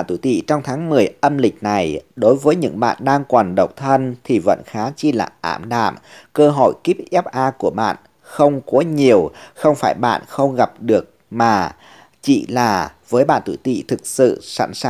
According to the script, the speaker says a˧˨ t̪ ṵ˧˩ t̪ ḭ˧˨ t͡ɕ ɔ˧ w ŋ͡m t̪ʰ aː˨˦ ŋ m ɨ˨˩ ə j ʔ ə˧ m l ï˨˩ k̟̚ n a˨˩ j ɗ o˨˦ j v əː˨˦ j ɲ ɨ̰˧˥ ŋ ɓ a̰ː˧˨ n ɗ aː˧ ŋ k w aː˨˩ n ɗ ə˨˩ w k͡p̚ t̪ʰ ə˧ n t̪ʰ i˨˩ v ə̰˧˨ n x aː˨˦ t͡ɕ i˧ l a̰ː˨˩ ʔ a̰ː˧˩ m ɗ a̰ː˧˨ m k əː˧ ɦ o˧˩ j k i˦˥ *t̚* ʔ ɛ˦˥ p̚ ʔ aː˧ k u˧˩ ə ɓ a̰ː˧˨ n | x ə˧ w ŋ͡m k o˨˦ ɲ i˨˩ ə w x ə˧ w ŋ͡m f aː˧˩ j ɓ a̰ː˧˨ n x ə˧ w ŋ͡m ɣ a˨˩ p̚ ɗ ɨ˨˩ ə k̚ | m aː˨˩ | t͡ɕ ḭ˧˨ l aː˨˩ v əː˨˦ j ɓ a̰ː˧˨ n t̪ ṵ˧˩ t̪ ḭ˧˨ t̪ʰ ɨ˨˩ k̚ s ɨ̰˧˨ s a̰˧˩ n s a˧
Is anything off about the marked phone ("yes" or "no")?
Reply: yes